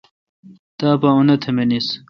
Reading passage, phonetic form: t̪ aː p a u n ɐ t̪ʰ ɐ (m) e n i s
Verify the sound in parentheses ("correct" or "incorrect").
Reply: correct